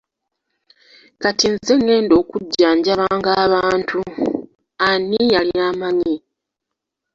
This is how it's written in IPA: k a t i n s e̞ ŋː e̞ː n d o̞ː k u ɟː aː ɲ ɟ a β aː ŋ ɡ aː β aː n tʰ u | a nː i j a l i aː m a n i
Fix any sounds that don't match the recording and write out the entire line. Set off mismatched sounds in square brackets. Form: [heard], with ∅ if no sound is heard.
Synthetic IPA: k a t i n [z] e̞ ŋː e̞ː n d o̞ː k u ɟː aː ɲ ɟ a β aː ŋ ɡ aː β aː n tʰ u | a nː i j a l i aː m a [ɲ] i